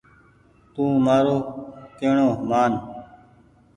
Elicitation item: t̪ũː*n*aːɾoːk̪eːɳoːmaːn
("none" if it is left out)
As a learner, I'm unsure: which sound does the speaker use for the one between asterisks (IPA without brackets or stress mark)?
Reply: m